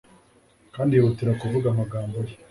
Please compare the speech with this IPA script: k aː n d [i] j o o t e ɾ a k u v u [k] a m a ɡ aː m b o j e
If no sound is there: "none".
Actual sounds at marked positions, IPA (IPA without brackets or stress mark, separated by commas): i, ɡ